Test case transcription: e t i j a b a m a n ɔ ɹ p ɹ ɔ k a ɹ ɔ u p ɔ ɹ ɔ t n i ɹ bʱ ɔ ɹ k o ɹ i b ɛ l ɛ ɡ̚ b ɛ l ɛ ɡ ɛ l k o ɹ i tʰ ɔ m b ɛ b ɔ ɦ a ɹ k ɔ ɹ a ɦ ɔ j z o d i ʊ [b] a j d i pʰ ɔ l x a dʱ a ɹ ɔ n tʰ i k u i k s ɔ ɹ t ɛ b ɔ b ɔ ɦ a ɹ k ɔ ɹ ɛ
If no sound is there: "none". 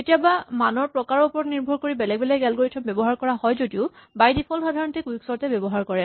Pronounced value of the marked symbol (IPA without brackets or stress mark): b